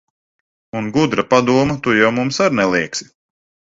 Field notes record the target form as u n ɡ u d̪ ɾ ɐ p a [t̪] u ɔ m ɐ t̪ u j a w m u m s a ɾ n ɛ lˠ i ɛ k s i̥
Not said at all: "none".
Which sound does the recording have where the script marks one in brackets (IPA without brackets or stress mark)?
d̪